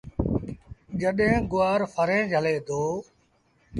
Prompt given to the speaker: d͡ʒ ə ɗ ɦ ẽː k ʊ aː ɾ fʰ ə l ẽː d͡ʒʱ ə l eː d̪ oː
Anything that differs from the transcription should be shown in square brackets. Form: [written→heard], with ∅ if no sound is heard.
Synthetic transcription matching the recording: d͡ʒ ə ɗ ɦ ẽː [k→ɡ] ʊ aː ɾ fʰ ə [l→ɾ] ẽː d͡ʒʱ ə l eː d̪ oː